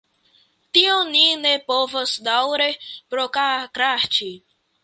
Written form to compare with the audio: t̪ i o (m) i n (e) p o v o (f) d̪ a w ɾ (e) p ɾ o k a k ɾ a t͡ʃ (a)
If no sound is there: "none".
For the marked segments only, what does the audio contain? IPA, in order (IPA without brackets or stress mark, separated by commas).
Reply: n, e, s, e, i